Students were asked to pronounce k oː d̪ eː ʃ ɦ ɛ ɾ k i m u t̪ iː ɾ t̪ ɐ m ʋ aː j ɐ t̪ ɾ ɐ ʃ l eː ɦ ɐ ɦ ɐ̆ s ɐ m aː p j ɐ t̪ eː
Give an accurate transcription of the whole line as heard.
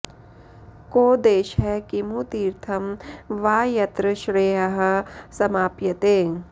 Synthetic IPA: k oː d̪ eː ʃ ɦ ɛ k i m u t̪ iː ɾ t̪ʰ ɐ m ʋ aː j ɐ t̪ ɾ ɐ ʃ ɾ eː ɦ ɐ ɦ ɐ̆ s ɐ m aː p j ɐ t̪ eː